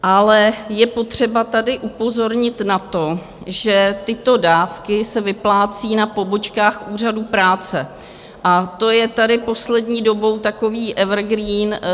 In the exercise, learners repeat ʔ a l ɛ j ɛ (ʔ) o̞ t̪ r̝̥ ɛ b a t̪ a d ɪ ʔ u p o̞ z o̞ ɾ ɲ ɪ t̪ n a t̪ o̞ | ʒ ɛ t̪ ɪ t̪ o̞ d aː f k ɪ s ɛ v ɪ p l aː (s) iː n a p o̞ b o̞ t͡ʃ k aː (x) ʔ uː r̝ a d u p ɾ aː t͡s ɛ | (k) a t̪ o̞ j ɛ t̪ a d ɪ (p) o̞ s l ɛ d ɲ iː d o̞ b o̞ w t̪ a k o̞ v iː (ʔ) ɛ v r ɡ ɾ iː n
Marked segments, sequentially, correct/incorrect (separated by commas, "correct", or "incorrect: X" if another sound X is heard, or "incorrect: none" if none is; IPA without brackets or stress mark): incorrect: p, incorrect: t͡s, correct, incorrect: ʔ, correct, correct